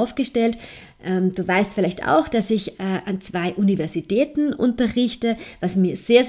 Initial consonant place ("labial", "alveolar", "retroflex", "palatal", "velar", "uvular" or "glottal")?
labial